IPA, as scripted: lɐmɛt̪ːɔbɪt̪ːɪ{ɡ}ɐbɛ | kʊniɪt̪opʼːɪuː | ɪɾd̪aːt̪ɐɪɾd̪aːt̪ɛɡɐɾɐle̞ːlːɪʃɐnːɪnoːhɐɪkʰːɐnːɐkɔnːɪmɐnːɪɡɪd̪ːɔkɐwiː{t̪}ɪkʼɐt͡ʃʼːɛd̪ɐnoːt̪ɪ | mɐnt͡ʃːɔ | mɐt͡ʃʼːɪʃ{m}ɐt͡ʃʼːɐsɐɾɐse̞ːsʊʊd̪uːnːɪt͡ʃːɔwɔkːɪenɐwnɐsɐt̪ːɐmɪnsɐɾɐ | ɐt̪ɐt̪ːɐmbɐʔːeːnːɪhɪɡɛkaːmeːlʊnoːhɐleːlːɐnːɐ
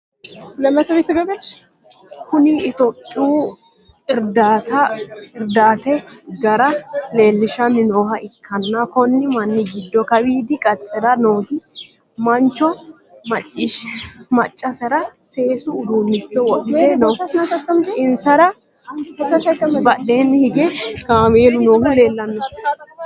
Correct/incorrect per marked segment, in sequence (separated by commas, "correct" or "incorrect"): correct, incorrect, correct